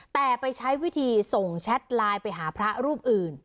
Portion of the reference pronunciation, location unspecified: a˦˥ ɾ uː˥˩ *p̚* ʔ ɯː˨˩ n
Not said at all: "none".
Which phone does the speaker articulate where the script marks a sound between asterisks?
p̚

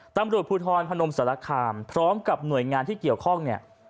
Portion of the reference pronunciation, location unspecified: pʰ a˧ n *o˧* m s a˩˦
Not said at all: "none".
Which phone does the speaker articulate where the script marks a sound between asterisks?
o˧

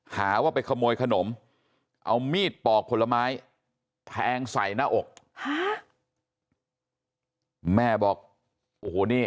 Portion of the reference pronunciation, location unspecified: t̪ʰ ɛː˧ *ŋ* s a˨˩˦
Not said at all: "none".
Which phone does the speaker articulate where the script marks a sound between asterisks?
ŋ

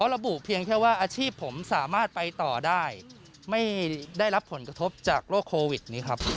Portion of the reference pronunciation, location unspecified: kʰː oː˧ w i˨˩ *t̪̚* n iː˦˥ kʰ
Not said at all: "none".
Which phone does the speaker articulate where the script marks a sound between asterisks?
t̪̚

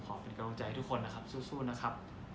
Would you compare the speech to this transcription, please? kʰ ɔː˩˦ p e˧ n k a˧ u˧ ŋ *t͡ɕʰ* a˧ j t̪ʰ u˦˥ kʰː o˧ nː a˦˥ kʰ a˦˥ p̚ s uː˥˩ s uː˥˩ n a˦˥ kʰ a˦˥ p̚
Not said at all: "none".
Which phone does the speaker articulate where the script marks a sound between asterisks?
t͡ɕ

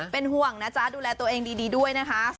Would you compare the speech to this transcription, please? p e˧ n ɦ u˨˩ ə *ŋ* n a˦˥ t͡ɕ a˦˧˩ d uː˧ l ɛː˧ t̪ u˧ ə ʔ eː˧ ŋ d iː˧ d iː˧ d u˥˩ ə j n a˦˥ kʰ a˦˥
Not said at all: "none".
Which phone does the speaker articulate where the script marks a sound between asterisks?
ŋ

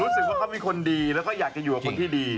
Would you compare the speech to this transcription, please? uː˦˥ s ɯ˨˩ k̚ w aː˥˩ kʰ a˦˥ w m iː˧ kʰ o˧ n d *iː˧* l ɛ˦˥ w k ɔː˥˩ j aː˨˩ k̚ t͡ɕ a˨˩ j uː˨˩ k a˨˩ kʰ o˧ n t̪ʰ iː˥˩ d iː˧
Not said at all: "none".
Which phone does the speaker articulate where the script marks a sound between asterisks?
iː˧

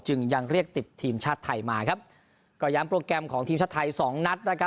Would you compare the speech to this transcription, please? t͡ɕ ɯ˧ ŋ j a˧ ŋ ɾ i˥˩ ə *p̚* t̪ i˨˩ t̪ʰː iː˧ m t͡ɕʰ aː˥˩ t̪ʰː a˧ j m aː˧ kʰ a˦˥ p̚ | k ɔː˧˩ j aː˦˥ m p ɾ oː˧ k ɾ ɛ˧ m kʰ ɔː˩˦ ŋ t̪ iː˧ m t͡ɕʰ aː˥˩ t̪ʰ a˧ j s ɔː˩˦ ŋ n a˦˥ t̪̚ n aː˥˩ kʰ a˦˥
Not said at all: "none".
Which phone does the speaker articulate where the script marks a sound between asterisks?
k̚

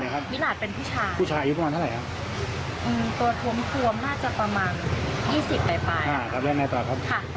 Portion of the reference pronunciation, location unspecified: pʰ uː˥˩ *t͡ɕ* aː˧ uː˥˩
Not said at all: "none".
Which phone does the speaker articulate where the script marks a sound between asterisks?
t͡ɕʰ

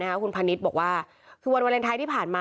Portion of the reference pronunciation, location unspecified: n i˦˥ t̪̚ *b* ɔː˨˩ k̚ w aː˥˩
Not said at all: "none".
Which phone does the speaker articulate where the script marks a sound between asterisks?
b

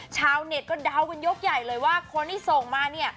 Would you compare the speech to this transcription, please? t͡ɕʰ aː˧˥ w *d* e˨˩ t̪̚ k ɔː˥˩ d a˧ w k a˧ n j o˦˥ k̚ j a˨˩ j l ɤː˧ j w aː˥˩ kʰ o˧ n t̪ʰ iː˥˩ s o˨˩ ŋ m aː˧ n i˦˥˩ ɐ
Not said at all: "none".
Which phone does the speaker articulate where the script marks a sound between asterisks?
n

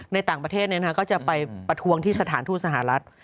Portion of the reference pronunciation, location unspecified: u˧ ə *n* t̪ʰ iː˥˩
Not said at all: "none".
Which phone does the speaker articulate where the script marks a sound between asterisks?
ŋ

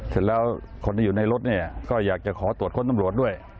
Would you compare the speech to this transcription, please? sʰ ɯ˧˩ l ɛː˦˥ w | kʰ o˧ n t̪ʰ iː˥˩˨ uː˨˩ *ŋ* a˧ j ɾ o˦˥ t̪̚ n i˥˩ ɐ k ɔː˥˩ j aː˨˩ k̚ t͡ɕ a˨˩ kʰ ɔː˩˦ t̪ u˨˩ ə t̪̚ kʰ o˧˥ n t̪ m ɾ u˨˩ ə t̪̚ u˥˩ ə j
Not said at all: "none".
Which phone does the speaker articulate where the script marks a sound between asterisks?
n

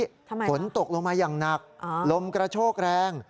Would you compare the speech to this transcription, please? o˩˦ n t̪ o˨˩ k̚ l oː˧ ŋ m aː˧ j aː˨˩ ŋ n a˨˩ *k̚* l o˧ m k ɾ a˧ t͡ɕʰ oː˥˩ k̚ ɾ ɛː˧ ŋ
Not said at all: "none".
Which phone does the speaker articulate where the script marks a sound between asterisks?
k̚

